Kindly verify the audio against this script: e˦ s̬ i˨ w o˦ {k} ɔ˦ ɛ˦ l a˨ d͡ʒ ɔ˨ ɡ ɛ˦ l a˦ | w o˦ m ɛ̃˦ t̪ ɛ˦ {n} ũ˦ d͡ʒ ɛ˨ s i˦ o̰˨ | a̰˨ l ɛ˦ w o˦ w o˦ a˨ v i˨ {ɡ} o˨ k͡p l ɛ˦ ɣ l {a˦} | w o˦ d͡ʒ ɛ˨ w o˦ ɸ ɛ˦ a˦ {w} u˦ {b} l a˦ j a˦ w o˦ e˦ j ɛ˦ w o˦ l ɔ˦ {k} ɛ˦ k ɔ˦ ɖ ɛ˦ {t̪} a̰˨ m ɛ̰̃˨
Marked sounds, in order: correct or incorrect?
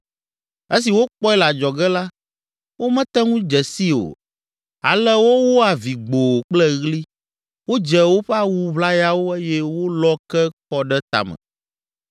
incorrect: k͡p, incorrect: ŋ, incorrect: ɡ͡b, incorrect: i˦, correct, incorrect: β, correct, correct

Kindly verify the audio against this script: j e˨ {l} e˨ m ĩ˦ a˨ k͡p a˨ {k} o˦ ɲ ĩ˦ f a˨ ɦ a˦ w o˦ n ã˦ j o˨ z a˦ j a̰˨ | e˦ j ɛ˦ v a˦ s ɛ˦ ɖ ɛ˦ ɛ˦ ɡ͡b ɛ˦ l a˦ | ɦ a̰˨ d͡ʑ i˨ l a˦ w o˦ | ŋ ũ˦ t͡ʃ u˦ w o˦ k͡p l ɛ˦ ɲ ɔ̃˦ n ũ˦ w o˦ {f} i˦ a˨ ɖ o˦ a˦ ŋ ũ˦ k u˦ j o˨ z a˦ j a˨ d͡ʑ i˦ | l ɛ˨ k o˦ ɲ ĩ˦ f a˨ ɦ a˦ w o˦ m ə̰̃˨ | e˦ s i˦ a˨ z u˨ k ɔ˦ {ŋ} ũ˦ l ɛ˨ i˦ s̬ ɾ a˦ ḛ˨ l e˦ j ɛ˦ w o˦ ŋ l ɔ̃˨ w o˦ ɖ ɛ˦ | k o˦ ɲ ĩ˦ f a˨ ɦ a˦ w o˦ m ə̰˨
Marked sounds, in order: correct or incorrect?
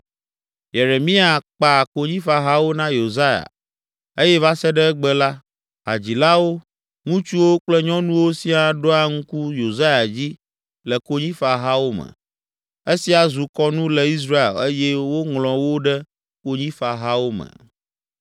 incorrect: ɾ, correct, incorrect: s, incorrect: n

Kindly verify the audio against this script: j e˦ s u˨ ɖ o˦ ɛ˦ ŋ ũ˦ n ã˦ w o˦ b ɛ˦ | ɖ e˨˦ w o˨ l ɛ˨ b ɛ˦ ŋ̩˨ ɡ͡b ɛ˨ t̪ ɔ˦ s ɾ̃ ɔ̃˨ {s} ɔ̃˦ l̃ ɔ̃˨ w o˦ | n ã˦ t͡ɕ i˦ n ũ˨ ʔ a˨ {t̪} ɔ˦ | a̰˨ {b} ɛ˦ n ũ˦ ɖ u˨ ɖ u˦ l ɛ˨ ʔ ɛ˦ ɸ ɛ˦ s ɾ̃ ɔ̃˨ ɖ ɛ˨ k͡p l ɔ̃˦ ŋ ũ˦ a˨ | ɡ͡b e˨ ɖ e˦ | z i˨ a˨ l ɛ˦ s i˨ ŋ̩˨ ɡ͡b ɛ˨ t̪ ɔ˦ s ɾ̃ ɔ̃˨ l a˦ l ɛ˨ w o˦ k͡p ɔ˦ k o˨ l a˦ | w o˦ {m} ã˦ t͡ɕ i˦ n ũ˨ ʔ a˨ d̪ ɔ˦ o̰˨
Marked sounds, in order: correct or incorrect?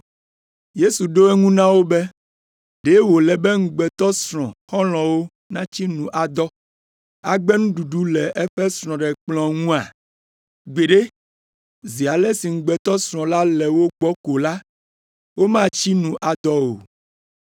incorrect: x, incorrect: d̪, incorrect: ɡ͡b, correct

